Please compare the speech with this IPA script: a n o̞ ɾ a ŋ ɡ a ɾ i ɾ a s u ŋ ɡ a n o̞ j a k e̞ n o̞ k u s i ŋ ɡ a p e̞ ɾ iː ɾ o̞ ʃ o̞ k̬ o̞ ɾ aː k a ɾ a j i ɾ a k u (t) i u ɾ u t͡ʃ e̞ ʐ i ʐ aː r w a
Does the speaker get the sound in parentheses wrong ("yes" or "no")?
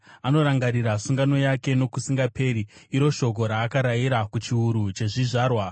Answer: yes